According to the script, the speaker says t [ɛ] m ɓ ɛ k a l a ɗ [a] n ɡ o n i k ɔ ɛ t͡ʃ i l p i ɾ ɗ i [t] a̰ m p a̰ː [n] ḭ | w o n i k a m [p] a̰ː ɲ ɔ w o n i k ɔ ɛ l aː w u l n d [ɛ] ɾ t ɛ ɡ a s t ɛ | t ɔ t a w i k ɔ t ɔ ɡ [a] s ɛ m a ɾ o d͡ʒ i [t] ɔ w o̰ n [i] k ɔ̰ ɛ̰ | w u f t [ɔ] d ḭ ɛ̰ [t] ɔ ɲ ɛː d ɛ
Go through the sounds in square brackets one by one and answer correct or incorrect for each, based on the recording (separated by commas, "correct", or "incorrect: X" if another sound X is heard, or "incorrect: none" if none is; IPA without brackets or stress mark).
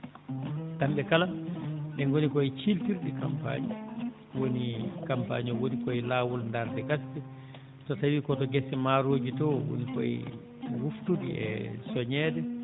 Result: incorrect: a, incorrect: ɛ, incorrect: k, incorrect: ɲ, correct, incorrect: a, incorrect: ɛ, correct, correct, incorrect: u, incorrect: s